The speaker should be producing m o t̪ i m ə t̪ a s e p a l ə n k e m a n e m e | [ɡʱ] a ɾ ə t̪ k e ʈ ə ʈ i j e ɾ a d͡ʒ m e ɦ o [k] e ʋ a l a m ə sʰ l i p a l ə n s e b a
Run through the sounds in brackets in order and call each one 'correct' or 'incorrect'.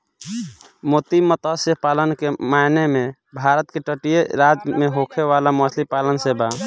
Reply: incorrect, incorrect

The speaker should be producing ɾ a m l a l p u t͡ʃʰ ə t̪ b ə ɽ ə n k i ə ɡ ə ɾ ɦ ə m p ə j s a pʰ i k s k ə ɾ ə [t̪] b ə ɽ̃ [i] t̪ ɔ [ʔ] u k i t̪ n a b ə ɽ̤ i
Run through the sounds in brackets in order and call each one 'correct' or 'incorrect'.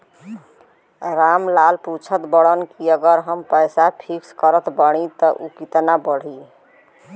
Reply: correct, correct, correct

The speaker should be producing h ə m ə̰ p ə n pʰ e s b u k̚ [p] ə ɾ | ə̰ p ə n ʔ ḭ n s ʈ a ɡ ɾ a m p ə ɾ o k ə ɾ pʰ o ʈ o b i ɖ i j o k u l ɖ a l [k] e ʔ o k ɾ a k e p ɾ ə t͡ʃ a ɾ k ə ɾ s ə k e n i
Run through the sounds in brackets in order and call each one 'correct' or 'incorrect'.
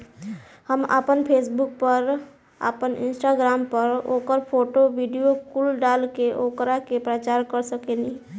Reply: correct, correct

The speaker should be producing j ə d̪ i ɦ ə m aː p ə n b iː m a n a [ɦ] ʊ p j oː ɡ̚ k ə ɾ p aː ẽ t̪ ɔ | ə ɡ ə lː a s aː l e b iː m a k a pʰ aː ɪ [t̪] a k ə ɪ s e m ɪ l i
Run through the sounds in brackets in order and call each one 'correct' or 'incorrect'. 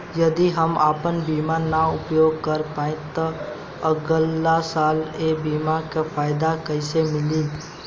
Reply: incorrect, incorrect

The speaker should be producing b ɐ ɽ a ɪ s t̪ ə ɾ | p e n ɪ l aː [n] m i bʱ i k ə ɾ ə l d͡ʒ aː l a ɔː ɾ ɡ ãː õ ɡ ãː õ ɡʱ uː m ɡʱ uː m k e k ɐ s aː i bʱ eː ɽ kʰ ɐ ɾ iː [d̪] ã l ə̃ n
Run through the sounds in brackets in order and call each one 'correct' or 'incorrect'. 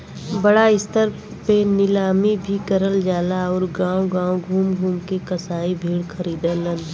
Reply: incorrect, correct

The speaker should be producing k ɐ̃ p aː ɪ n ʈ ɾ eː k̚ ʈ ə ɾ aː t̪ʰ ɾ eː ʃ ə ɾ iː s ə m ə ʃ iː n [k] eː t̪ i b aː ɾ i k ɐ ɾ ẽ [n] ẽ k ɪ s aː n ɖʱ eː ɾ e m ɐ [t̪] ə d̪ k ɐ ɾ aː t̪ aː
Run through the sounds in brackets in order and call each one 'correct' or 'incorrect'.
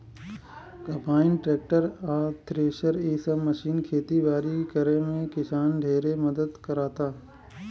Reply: incorrect, incorrect, incorrect

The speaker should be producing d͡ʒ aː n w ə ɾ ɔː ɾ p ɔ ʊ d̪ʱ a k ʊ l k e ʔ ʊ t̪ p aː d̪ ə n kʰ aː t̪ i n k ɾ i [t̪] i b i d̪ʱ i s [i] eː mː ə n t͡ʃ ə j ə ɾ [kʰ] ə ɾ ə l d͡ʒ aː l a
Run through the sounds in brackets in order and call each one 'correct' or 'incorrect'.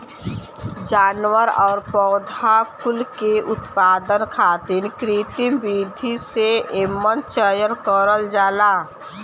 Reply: correct, incorrect, incorrect

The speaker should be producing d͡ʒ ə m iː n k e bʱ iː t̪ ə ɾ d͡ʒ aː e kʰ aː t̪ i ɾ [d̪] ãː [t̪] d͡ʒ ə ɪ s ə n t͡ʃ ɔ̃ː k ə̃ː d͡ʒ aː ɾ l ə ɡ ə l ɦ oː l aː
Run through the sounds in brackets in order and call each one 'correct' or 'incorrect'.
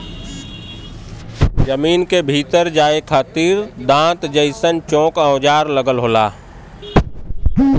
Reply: correct, correct

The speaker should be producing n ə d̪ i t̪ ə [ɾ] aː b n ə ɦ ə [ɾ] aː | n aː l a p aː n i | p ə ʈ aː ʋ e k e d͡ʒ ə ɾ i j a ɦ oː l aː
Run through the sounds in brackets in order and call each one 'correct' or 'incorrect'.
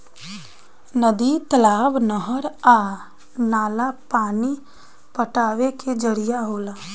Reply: incorrect, correct

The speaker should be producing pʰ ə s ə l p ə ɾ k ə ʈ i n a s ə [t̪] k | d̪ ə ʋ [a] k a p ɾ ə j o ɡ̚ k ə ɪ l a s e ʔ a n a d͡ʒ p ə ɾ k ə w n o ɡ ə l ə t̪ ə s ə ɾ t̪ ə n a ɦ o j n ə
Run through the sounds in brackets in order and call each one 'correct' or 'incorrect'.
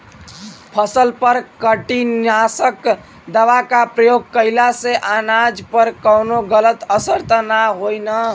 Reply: incorrect, correct

